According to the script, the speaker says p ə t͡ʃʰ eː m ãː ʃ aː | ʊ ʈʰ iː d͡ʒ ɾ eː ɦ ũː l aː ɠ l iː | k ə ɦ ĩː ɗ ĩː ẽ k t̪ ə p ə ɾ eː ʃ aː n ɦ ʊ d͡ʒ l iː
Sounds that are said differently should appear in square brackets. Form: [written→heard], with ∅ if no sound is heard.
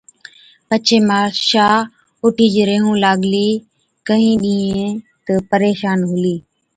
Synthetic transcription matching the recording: p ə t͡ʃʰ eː m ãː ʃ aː | ʊ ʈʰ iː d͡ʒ ɾ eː ɦ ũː l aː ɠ l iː | k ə ɦ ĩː ɗ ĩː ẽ [k→∅] t̪ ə p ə ɾ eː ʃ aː n ɦ ʊ [d͡ʒ→∅] l iː